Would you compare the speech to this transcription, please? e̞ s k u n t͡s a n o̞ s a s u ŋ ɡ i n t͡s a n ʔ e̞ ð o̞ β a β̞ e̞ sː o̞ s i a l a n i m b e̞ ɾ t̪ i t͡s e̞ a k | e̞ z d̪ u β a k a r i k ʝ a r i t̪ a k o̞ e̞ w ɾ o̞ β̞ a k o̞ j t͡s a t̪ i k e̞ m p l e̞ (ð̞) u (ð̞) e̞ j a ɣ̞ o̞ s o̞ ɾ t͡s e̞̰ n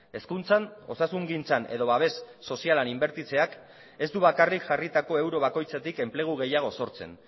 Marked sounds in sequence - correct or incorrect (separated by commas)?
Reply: incorrect, incorrect